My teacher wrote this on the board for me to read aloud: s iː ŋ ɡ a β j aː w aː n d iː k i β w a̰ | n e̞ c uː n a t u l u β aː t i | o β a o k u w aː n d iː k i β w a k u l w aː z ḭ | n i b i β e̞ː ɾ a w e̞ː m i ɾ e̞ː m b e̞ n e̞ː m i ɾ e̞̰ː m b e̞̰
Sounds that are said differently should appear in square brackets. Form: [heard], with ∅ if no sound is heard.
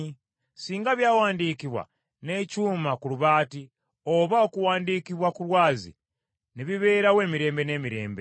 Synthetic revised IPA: s iː ŋ ɡ a β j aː w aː n d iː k i β w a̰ | n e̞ c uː [m] a [k] u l u β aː t i | o β a o k u w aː n d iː k i β w a k u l w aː z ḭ | n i [β] i β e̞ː ɾ a w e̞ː m i ɾ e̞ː m b e̞ n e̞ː m i ɾ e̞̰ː m b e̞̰